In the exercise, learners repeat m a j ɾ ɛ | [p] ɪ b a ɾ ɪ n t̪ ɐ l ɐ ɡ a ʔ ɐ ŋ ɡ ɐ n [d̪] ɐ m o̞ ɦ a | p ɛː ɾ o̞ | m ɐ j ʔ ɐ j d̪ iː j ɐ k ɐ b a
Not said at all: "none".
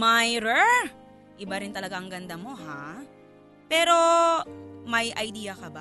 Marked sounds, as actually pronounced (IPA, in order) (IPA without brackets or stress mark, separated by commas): ʔ, d̪